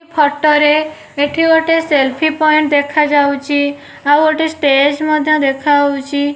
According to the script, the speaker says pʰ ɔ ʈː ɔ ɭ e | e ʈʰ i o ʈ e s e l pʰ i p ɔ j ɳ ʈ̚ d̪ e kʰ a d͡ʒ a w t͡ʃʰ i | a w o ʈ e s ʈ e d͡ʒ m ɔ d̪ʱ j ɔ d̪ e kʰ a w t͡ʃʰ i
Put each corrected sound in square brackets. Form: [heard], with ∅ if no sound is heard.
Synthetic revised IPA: pʰ ɔ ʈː ɔ [ɾ] e | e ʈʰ i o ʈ e s e l pʰ i p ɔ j ɳ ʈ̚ d̪ e kʰ a d͡ʒ a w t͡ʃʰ i | a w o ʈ e s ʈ e d͡ʒ m ɔ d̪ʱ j ɔ d̪ e kʰ a w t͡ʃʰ i